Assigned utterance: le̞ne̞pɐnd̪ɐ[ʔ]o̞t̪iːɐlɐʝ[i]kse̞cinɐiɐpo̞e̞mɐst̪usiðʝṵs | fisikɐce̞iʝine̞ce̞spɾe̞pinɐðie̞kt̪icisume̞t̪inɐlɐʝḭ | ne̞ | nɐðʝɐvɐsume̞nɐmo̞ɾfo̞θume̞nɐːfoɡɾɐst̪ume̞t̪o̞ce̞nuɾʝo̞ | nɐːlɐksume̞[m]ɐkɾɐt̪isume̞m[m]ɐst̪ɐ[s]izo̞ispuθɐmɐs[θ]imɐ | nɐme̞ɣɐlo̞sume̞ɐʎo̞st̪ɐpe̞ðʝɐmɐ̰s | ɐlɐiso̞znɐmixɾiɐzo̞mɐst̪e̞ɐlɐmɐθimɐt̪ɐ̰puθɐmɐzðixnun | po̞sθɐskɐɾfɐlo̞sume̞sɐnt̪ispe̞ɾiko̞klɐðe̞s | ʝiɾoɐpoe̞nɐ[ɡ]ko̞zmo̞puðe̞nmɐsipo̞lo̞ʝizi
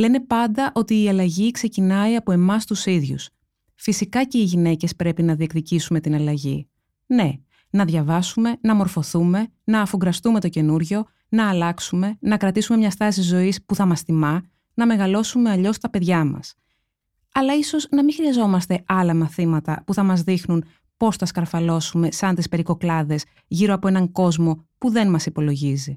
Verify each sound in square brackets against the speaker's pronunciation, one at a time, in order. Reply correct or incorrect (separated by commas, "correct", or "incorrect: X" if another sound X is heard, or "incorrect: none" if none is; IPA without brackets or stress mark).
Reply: correct, correct, incorrect: n, incorrect: ɲ, correct, correct, incorrect: ŋ